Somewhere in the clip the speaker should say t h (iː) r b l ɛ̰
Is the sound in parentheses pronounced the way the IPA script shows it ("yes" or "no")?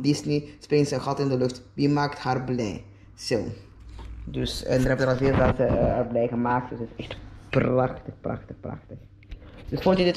no